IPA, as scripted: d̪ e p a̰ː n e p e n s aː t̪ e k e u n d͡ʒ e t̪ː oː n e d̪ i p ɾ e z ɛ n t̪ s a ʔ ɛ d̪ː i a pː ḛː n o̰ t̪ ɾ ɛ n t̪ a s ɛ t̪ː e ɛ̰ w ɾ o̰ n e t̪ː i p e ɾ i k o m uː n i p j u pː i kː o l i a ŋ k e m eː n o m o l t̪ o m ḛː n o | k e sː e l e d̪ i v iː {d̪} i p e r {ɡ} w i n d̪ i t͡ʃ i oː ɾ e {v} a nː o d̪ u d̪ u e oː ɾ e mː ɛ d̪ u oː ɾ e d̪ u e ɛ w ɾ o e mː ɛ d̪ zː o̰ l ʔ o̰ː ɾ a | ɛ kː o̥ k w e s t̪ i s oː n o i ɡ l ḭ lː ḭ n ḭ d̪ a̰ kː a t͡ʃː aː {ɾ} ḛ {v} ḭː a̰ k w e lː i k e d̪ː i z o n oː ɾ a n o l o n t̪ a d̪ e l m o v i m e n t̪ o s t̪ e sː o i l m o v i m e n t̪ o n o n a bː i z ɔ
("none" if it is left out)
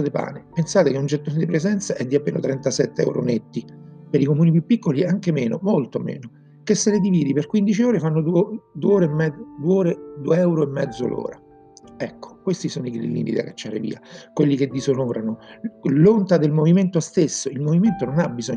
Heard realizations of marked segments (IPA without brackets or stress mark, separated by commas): d̪, k, f, ɾ, v